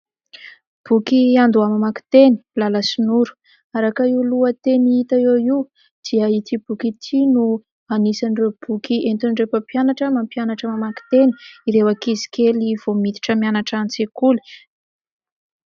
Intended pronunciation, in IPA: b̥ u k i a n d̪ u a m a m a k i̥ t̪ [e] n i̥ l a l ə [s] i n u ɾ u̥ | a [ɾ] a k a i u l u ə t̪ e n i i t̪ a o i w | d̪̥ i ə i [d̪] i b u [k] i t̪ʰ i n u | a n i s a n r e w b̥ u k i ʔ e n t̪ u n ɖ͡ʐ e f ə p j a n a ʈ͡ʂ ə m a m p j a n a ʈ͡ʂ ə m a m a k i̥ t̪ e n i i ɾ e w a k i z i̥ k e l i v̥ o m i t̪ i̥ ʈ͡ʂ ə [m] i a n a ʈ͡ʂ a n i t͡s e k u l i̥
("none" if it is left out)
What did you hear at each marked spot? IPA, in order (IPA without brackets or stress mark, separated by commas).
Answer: e, s, ɾ, t̪, k, m